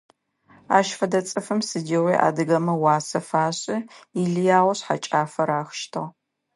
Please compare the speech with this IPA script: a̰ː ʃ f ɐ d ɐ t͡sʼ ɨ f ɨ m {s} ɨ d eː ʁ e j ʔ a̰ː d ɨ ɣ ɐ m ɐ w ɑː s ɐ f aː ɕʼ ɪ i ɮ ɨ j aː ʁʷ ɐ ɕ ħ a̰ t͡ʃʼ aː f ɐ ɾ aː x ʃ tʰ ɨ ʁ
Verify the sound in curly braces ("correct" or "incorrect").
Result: correct